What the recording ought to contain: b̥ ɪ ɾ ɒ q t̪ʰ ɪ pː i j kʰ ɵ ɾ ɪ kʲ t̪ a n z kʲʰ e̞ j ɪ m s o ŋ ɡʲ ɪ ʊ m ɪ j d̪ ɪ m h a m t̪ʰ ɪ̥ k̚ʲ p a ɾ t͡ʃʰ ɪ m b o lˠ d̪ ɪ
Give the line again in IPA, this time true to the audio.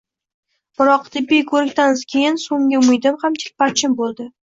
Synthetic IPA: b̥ ɪ ɾ ɒ q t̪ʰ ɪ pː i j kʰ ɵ ɾ ɪ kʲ t̪ a n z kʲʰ e̞ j ɪ n s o ŋ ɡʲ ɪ ʊ m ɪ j d̪ ɪ m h a m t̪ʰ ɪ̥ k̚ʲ p a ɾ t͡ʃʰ ɪ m b o lˠ d̪ ɪ